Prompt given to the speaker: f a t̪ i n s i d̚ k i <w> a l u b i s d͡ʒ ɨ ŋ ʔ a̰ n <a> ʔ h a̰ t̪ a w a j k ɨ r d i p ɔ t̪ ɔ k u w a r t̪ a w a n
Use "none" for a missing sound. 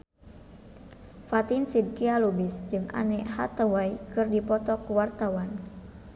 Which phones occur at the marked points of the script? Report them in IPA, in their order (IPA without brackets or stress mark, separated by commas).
none, ɛ